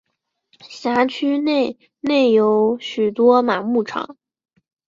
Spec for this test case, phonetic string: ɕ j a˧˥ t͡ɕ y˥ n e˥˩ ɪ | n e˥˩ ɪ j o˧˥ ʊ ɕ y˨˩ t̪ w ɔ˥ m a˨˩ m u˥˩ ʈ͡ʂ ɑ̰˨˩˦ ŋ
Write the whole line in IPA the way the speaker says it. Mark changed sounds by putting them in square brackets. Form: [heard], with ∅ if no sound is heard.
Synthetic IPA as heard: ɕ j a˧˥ [t͡ɕʰ] y˥ n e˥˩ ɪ | n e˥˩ ɪ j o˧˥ ʊ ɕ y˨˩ t̪ w ɔ˥ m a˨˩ m u˥˩ [ʈ͡ʂʰ] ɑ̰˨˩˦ ŋ